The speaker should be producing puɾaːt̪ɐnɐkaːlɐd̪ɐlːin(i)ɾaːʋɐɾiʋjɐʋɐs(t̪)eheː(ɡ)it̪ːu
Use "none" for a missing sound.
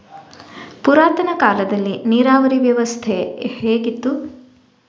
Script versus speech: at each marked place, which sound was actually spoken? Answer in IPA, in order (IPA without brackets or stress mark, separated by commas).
iː, t̪ʰ, ɡ